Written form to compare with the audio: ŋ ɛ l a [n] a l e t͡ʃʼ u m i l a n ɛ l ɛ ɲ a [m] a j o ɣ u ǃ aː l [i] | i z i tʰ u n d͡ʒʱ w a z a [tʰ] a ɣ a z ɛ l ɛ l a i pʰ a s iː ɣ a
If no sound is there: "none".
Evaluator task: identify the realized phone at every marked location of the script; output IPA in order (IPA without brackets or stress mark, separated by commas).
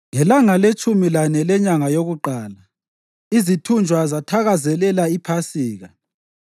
ŋ, ŋ, a, tʰ